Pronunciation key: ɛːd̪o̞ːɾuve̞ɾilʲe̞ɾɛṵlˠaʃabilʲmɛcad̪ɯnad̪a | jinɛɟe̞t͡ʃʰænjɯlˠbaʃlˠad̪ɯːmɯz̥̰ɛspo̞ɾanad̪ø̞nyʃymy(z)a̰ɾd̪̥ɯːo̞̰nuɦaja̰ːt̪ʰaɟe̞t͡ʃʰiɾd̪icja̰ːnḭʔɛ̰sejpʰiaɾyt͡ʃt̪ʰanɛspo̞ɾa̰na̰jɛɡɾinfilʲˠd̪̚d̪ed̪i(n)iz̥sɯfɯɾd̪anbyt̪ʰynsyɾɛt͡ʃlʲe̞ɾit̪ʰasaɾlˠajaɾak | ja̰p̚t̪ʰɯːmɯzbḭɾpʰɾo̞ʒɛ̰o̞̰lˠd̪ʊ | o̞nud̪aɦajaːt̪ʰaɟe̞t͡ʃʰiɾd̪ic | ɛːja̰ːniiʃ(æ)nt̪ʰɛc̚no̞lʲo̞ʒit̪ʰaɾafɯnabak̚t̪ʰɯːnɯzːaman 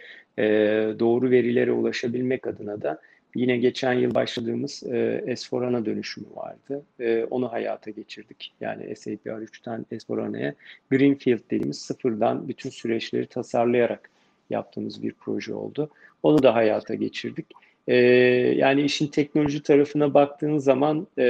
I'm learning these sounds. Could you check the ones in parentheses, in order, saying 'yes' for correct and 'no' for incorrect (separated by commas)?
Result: no, no, no